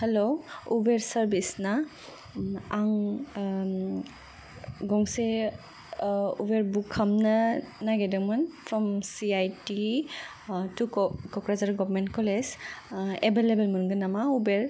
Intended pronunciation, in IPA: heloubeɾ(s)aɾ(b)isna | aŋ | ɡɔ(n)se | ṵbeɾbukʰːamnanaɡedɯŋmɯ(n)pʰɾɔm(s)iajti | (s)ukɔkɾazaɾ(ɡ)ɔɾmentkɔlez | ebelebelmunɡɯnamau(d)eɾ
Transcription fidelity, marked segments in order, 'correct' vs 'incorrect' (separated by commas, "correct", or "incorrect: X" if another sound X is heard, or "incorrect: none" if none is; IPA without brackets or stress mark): correct, correct, incorrect: ŋ, correct, correct, incorrect: t, correct, incorrect: b